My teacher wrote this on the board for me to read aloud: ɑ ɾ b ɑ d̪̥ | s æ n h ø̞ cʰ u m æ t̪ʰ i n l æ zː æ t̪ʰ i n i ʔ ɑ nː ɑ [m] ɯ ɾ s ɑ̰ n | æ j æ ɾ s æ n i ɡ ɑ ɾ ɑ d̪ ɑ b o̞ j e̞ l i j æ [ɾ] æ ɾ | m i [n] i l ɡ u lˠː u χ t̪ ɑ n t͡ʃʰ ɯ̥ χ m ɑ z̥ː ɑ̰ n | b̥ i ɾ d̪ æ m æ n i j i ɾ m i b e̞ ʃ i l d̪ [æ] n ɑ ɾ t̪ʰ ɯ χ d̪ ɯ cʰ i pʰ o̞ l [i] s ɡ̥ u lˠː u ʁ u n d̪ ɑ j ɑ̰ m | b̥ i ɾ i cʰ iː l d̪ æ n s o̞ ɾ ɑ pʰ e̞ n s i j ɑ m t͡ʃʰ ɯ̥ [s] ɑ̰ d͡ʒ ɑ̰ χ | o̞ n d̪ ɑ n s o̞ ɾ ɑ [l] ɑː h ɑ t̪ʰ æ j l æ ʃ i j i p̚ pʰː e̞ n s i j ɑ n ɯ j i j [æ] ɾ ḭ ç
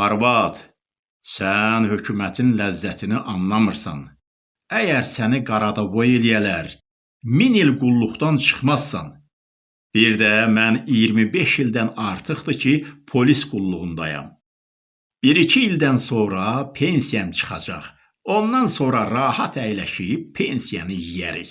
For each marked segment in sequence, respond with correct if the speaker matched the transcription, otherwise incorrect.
correct, incorrect: l, correct, correct, correct, incorrect: χ, incorrect: ɾ, correct

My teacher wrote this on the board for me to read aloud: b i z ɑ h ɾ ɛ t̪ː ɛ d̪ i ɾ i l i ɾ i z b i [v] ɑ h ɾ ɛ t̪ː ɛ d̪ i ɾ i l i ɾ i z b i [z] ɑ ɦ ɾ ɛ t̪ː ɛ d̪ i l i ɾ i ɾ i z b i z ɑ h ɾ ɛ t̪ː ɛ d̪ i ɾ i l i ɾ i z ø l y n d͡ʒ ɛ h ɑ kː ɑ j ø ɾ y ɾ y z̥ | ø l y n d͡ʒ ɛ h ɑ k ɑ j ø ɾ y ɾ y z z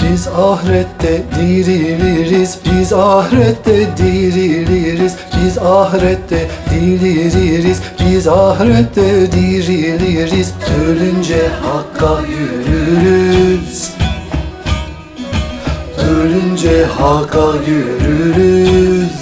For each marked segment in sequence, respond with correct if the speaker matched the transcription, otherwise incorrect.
incorrect: z, correct

